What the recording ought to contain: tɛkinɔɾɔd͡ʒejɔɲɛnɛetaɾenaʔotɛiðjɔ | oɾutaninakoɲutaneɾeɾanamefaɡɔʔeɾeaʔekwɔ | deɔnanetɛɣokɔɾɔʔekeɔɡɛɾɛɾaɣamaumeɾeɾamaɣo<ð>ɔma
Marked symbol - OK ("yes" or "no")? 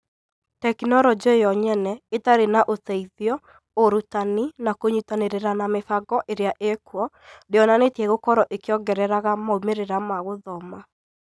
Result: yes